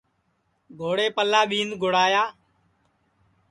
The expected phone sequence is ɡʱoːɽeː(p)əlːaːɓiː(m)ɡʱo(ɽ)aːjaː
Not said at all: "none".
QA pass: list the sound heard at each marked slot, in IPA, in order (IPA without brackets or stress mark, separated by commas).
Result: p, n, ɽ